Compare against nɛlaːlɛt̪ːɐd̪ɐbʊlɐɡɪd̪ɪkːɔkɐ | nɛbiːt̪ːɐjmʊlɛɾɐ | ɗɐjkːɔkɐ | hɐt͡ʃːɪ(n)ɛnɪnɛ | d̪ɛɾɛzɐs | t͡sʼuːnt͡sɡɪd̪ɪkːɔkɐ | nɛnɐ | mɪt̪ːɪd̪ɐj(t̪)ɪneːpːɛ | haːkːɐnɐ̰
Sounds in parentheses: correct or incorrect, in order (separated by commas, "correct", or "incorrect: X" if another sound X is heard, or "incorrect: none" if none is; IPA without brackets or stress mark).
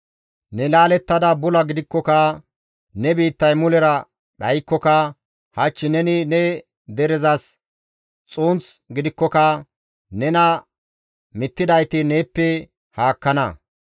correct, correct